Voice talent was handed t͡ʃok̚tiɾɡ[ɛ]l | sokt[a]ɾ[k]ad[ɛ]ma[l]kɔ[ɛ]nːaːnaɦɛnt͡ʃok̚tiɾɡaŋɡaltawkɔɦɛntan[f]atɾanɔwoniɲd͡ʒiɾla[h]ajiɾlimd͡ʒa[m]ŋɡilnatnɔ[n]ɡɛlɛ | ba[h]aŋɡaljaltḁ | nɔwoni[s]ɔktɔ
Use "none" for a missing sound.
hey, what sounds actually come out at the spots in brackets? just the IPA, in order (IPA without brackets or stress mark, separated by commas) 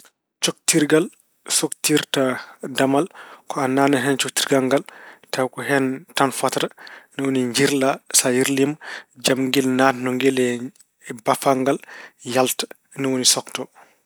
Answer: a, i, t, a, l, a, f, s, m, ŋ, f, s